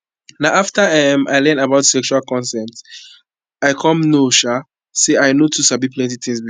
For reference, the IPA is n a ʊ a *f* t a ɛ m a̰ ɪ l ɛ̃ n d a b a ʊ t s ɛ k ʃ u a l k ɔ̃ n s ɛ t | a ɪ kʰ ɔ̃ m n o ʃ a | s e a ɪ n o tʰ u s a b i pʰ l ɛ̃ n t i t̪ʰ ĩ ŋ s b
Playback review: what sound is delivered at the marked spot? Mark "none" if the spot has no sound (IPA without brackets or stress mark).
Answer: f